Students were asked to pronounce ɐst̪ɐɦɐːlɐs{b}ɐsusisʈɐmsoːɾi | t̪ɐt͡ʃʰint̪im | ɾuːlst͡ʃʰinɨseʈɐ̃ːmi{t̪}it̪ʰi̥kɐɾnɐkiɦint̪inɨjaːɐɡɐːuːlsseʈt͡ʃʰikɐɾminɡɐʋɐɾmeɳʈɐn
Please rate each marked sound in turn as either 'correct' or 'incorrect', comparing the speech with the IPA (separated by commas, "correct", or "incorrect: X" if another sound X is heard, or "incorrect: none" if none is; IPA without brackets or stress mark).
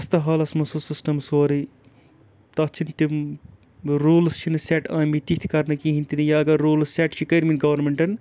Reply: incorrect: m, correct